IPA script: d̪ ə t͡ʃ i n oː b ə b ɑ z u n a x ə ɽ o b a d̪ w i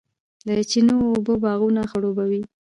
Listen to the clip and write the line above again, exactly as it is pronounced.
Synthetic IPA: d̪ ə t͡ʃ i n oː b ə b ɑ ɣ u n a x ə ɽ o b a w i